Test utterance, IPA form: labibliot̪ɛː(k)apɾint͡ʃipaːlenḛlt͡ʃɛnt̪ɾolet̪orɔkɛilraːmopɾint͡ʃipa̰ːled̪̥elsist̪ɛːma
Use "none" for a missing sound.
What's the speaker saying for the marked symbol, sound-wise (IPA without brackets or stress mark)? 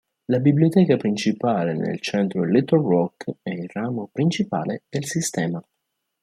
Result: k